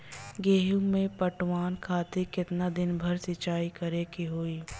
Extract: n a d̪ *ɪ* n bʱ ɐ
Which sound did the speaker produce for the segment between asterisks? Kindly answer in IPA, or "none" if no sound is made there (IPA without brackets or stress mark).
ɪ